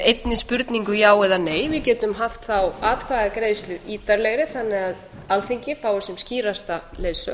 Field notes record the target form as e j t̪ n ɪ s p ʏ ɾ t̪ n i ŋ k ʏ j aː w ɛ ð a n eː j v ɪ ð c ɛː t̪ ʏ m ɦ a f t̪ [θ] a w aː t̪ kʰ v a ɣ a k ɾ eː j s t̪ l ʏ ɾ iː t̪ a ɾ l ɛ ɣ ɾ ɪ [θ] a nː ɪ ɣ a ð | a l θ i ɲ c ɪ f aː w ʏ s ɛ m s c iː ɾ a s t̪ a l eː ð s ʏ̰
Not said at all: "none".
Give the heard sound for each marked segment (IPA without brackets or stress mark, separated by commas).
θ, θ